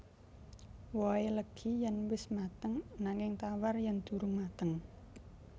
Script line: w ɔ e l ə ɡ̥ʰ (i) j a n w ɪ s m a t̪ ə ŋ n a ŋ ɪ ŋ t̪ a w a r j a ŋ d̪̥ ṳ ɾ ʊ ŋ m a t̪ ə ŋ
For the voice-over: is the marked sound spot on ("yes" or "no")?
yes